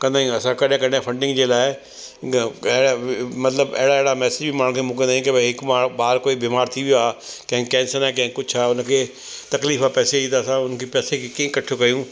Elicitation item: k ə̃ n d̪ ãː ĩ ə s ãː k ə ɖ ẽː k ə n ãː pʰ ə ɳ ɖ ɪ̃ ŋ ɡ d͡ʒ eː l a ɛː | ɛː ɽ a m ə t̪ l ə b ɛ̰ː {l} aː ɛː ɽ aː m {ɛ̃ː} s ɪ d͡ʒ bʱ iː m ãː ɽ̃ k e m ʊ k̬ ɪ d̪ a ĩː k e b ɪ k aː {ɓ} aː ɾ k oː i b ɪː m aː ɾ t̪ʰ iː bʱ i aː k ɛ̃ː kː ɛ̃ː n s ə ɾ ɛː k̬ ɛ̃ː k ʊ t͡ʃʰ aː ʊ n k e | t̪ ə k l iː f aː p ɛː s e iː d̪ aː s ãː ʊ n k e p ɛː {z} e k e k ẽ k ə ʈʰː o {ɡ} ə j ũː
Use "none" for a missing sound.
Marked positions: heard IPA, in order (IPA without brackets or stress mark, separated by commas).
ɽ, ɛː, b, s, k